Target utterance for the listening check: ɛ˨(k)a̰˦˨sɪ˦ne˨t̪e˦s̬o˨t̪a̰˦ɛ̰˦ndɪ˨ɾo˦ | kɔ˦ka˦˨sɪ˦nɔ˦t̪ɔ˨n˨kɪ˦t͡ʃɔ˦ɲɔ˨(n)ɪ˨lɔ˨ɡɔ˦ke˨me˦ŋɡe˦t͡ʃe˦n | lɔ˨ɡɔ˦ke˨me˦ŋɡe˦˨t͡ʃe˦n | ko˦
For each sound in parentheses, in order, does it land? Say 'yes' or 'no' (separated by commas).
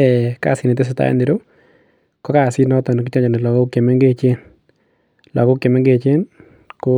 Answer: yes, yes